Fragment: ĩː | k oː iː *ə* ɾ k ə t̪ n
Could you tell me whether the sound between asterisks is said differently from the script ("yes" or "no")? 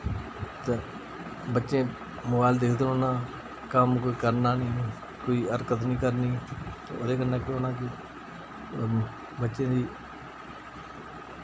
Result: no